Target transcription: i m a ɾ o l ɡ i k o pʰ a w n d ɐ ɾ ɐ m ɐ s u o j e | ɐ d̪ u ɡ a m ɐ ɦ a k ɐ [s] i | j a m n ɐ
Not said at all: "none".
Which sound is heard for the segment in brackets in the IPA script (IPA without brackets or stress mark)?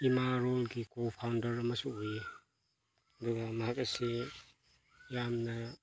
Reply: s